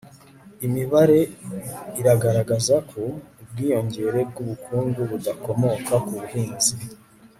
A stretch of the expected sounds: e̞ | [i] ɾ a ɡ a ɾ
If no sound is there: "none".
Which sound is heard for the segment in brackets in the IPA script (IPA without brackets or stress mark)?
i